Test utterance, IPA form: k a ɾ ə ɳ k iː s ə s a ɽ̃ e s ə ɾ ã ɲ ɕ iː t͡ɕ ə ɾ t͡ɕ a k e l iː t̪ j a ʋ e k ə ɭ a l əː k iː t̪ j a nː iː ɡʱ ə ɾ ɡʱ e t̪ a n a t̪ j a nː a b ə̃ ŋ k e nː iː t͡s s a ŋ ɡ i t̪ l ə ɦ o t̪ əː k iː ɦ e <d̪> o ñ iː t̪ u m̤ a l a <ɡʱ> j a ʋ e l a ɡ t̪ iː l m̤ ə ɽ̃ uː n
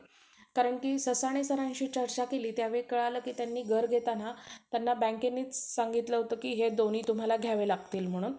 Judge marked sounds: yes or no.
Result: yes, yes

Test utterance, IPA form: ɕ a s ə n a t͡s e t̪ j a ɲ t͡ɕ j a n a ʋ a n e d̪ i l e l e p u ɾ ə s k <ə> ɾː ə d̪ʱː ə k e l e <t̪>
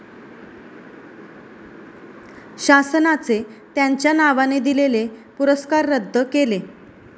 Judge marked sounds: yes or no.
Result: no, no

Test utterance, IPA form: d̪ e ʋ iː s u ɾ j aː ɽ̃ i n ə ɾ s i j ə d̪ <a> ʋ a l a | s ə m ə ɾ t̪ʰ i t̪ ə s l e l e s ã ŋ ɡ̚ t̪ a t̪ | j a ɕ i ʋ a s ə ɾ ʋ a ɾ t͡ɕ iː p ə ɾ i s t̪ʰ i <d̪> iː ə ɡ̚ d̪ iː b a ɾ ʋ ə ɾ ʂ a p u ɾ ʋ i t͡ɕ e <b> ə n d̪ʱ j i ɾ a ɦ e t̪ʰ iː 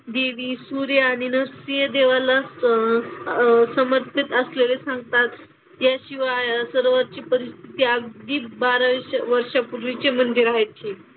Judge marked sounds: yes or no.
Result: no, no, no

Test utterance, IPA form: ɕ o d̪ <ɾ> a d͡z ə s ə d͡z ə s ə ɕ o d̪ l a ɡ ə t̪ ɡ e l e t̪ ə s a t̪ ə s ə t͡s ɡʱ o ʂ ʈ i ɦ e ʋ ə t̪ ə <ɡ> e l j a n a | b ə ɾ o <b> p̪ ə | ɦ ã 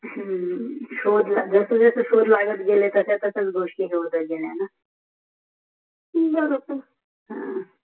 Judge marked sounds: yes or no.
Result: no, yes, no

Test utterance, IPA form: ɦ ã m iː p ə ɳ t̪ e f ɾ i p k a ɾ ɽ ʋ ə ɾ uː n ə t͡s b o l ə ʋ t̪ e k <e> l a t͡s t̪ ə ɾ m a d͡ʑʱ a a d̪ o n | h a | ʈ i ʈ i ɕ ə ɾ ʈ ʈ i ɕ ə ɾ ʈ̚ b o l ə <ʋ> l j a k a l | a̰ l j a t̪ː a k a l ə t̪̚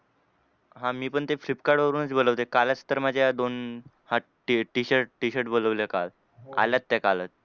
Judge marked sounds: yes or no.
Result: no, yes

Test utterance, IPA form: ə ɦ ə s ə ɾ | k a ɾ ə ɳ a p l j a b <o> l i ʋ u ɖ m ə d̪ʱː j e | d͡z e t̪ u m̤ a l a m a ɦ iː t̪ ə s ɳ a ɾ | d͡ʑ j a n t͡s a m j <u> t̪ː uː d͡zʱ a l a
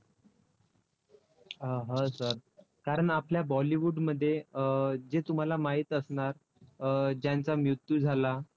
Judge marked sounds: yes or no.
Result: no, yes

